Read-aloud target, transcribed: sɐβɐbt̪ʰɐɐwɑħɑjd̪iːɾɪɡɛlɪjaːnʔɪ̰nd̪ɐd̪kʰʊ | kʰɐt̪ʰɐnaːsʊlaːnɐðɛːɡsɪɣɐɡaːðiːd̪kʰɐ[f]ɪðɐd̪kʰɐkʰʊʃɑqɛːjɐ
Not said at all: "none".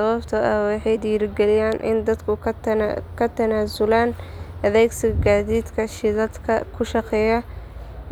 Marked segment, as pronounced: ʃ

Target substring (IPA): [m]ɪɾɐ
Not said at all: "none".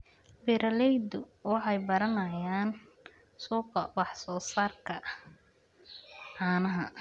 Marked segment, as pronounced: b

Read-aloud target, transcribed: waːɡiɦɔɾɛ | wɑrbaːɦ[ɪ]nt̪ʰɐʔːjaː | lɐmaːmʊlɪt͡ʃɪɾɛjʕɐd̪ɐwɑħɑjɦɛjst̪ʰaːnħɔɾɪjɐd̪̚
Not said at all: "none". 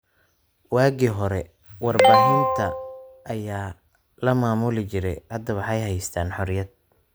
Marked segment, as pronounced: ɪ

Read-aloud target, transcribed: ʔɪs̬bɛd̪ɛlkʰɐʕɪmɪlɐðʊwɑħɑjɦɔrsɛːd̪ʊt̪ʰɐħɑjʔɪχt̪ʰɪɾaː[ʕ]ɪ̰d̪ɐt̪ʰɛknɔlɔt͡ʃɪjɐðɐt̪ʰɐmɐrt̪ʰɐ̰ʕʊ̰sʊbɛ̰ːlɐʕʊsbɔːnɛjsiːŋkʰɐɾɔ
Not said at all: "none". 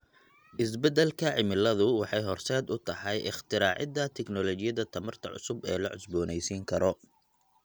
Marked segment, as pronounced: ʕ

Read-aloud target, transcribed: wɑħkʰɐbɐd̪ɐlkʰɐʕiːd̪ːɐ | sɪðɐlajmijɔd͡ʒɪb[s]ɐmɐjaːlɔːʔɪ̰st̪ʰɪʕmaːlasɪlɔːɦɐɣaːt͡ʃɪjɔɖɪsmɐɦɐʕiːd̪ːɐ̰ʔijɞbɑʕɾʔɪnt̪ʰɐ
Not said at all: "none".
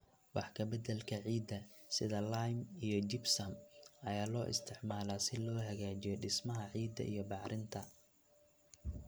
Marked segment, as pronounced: s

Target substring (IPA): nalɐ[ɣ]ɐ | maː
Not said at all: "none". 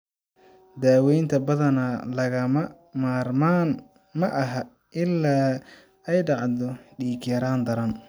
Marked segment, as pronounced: ɣ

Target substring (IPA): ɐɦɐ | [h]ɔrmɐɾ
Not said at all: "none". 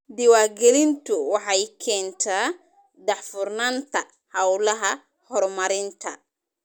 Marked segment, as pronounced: h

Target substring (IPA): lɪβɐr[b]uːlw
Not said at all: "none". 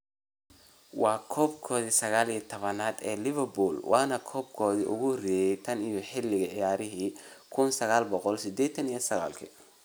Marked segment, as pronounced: b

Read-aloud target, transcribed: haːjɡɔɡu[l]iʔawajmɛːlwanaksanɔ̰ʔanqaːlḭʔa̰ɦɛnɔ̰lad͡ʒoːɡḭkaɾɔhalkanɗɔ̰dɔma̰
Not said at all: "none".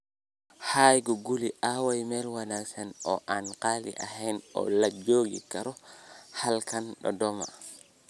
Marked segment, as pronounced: l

